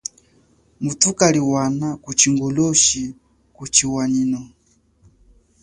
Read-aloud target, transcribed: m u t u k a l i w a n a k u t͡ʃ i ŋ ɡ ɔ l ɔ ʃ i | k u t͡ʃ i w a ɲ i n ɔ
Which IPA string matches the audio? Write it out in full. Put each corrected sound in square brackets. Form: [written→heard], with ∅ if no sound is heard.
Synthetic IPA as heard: m u t u k a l i w a n a k u t͡ʃ i ŋ ɡ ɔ l ɔ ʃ i | k u t͡ʃ i w a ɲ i n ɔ

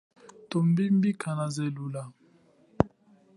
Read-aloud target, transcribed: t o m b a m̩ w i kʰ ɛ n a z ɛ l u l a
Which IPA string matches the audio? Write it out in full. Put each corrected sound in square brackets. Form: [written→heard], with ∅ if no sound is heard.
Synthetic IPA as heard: t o m b [a→i] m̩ [w→b] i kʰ [ɛ→a] n a z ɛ l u l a

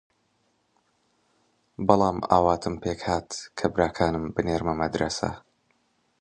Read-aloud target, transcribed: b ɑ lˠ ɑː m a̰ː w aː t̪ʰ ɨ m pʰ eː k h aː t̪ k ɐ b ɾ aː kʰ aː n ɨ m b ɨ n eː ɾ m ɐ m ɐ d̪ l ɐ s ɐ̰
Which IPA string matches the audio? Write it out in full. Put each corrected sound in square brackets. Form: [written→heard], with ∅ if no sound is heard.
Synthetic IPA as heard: b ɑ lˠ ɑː m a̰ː w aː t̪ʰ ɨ m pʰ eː k h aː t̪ [k→kʰ] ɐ b ɾ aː kʰ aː n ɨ m b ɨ n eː ɾ m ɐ m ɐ d̪ [l→ɾ] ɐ s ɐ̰

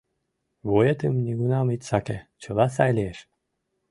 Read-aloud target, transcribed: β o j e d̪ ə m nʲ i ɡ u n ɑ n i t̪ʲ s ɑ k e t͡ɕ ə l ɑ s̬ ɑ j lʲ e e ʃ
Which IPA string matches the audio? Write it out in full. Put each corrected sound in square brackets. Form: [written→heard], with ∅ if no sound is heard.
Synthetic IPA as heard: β o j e [d̪→t̪] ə m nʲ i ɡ u n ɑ [n→m] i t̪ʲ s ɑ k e t͡ɕ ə l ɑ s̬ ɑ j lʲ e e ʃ

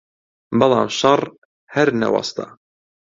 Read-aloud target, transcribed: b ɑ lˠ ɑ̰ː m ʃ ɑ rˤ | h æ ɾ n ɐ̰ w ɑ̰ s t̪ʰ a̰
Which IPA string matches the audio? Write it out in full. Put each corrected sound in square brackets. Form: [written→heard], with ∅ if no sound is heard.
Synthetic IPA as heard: b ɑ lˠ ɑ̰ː m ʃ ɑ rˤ | h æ ɾ n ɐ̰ w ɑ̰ s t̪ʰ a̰

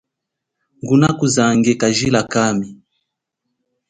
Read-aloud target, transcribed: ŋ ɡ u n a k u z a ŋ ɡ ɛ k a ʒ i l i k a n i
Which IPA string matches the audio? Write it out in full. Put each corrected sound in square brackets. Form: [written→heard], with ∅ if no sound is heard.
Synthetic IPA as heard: ŋ ɡ u n a k u z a ŋ ɡ ɛ k a ʒ i l [i→a] k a [n→m] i

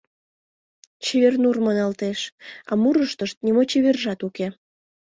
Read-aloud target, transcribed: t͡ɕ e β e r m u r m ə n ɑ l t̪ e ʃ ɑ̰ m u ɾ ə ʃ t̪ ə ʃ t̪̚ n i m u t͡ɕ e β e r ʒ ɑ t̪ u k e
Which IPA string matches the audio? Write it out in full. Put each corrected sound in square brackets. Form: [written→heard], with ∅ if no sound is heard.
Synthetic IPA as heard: t͡ɕ e β e r [m→n] u r m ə n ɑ l t̪ e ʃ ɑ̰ m u ɾ ə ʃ t̪ ə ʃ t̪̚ n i m [u→o] t͡ɕ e β e r ʒ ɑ t̪ u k e

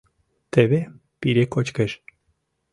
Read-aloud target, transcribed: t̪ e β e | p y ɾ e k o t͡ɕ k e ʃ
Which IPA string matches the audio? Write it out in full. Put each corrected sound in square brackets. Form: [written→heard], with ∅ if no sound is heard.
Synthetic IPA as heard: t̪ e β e | p [y→i] ɾ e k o t͡ɕ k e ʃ

